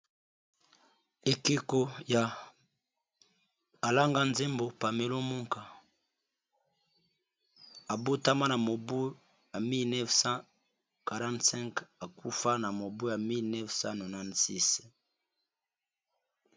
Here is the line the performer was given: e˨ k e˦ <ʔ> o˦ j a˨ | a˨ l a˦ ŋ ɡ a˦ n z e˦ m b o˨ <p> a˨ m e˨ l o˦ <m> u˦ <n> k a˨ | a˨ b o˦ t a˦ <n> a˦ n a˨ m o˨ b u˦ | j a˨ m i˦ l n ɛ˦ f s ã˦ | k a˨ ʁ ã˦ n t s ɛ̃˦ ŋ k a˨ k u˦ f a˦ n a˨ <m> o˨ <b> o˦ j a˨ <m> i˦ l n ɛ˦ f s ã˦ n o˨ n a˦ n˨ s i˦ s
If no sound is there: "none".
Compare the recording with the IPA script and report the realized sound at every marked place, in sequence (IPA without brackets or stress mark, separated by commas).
k, p, m, ŋ, m, m, b, m